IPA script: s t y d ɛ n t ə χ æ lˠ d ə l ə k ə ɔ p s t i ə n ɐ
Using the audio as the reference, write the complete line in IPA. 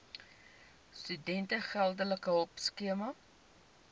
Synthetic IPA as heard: s t y d ɛ n t ə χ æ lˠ d ə l ə k ə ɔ p s k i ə m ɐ